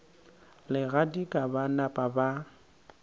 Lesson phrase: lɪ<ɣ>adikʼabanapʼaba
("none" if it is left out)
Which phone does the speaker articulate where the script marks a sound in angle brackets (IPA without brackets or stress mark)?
ɣ